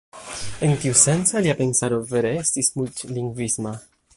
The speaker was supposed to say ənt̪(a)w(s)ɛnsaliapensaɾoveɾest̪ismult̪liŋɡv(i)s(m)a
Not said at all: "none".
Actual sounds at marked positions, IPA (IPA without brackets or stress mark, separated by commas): i, s, i, m